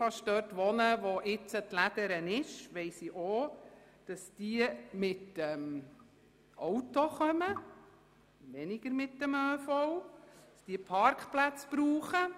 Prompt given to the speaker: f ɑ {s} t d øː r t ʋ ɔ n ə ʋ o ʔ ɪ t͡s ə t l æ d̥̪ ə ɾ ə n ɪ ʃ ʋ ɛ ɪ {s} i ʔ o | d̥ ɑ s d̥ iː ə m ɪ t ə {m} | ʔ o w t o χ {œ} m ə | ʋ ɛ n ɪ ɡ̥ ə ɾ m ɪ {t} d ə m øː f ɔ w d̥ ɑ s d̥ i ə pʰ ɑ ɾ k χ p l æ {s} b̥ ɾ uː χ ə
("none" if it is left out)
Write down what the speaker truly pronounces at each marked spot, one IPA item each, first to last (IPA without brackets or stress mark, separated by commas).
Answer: ʃ, s, m, œ, t, t͡s